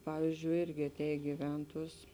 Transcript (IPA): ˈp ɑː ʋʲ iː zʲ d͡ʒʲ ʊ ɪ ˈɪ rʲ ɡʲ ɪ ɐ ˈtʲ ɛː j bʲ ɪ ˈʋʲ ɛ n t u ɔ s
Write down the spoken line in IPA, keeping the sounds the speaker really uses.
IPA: ˈp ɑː ʋʲ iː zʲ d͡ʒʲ ʊ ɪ ˈɪ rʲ ɡʲ ɪ ɐ ˈtʲ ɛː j ɡʲ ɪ ˈʋʲ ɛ n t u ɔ s